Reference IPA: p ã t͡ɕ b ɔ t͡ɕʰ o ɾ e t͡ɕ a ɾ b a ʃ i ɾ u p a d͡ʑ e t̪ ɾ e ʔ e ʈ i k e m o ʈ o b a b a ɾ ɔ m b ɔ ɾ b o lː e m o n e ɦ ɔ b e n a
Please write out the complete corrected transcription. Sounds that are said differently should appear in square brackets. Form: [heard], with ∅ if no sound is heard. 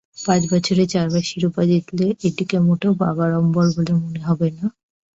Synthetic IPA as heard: p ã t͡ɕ b ɔ t͡ɕʰ o ɾ e t͡ɕ a ɾ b a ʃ i ɾ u p a d͡ʑ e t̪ [l] e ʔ e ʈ i k e m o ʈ o b a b a ɾ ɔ m b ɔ ɾ b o [l] e m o n e ɦ ɔ b e n a